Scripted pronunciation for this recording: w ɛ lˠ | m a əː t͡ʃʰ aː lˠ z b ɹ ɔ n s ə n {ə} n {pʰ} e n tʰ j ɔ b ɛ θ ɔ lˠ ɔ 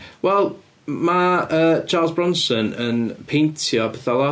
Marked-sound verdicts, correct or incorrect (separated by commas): correct, correct